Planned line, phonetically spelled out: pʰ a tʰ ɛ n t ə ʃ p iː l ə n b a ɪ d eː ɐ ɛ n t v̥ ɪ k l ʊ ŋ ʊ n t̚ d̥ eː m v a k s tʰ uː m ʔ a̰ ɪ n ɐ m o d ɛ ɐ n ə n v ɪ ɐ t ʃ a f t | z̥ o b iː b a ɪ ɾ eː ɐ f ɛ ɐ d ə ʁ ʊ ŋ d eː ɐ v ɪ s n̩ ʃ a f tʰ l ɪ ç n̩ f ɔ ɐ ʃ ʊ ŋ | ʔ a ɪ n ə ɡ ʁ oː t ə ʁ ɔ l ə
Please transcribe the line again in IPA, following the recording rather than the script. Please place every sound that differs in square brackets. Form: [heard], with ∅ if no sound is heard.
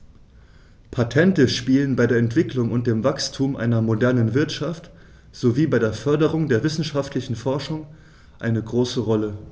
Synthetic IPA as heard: pʰ a tʰ ɛ n t ə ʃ p iː l ə n b a ɪ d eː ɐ ɛ n t v̥ ɪ k l ʊ ŋ ʊ n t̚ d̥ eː m v a k s tʰ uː m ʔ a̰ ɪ n ɐ m o d ɛ ɐ n ə n v ɪ ɐ t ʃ a f t | z̥ o [v] iː b a ɪ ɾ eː ɐ f [œ] ɐ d ə ʁ ʊ ŋ d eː ɐ v ɪ s n̩ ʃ a f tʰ l ɪ ç n̩ f ɔ ɐ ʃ ʊ ŋ | ʔ a ɪ n ə ɡ ʁ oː [s] ə ʁ ɔ l ə